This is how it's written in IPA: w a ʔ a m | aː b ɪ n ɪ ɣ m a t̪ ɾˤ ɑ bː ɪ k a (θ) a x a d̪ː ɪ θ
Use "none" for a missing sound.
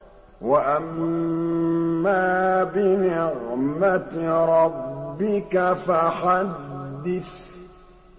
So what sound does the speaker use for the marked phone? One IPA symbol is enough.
f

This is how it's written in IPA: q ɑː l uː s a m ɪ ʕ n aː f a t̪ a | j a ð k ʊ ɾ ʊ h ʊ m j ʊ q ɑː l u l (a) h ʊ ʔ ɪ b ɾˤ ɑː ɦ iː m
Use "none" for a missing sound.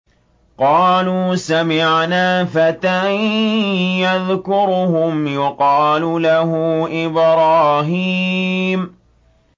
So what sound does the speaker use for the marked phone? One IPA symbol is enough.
a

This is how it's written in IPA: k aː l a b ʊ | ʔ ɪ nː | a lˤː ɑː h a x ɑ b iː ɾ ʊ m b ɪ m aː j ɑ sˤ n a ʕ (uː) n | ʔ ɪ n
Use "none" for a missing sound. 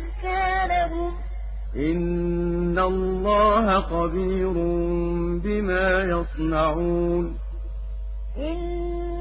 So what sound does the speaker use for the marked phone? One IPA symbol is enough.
uː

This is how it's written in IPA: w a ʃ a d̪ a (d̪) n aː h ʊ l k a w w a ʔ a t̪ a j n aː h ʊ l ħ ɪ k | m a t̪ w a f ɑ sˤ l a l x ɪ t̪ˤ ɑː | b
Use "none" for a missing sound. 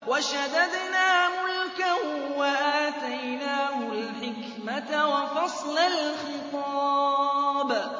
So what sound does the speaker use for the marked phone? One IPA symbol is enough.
d̪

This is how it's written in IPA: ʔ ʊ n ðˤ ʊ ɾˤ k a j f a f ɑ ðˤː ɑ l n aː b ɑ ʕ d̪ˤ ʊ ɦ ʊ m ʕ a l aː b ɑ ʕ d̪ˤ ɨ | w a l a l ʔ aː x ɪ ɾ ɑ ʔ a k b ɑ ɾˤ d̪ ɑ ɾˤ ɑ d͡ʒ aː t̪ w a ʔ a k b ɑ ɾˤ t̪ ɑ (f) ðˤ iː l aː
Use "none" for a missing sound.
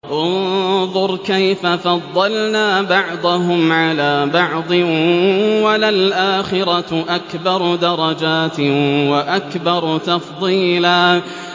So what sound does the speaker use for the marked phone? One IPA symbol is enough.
f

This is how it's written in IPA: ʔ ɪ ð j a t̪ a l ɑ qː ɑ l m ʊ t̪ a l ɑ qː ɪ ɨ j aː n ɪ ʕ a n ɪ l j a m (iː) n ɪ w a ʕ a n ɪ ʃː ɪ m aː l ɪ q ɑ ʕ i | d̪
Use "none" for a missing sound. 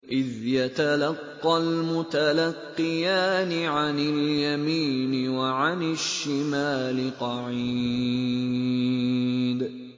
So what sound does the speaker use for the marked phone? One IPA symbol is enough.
iː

